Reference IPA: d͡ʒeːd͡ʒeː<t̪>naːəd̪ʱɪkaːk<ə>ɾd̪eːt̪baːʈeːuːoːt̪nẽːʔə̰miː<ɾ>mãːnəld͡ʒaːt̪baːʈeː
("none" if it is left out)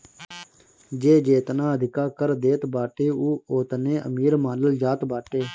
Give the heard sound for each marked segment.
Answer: t̪, ə, ɾ

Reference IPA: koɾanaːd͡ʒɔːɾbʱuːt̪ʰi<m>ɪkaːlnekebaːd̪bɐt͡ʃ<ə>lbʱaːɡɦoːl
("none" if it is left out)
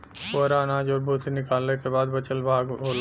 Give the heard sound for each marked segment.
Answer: n, ə

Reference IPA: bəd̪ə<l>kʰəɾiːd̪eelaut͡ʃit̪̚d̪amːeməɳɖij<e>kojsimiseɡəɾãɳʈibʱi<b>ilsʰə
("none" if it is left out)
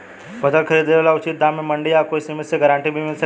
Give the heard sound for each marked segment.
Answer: l, a, m

